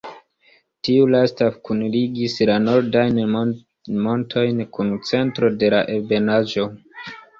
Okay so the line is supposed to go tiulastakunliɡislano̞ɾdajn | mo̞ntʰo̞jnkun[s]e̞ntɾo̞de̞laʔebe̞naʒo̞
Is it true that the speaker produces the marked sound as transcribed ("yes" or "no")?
no